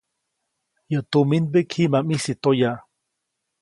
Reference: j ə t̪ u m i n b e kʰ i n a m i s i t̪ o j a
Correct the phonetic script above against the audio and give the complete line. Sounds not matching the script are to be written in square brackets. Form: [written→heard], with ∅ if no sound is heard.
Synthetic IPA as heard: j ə t̪ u m i n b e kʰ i [n→m] a m i s i t̪ o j a